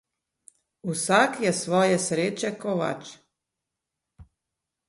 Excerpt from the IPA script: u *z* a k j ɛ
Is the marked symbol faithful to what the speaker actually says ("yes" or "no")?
no